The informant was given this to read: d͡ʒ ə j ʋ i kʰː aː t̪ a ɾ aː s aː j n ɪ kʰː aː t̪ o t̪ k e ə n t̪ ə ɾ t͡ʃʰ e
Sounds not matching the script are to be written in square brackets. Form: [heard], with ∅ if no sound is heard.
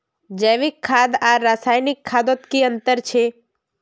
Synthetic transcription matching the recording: d͡ʒ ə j ʋ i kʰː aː [d̪] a ɾ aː s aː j n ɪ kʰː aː [d̪] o t̪ k [i] ə n t̪ ə ɾ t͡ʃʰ e